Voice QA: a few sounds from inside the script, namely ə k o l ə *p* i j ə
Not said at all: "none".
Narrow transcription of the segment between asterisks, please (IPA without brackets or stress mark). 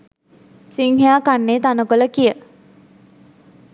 k